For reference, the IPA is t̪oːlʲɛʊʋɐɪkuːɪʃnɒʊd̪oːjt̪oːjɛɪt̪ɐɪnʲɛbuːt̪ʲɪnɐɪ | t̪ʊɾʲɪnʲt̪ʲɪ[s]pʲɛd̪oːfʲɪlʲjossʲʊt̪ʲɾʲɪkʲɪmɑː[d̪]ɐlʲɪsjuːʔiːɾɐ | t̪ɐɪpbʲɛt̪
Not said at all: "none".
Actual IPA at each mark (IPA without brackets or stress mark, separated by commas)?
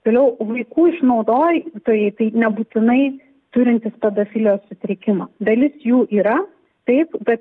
s, d̪